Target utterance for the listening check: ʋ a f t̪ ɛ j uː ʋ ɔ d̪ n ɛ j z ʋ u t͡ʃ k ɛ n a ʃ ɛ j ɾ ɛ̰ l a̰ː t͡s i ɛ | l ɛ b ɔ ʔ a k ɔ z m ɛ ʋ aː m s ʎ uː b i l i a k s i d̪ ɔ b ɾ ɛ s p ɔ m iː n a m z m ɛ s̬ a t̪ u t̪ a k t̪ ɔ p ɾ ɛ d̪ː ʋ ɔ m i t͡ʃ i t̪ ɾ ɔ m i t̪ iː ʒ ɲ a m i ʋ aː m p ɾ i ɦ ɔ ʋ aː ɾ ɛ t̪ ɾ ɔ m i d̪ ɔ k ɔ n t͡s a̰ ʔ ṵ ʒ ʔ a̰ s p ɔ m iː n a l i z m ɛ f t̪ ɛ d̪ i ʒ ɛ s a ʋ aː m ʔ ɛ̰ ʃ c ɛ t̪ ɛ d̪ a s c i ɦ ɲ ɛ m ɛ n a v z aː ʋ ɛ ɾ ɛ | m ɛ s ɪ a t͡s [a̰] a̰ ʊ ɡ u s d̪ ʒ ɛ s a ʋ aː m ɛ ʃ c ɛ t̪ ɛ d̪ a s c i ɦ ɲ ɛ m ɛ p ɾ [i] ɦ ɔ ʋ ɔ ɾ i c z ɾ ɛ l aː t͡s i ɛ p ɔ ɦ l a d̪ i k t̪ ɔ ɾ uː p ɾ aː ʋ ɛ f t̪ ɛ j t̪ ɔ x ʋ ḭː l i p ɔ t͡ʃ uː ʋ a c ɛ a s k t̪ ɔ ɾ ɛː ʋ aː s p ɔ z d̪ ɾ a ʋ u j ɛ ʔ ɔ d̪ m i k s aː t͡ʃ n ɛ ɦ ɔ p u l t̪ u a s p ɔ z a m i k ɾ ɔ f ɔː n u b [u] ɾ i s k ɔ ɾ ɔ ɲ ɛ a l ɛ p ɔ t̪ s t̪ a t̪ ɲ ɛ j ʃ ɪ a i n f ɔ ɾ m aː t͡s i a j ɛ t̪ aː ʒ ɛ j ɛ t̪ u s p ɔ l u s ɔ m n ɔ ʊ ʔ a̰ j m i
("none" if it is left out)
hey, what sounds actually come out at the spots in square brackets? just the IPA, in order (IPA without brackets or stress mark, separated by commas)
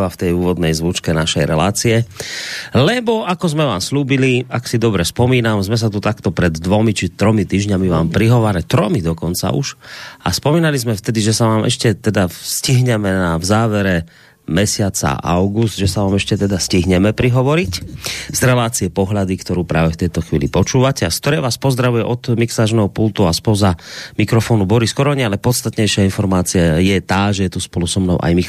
a̰, i, ɔ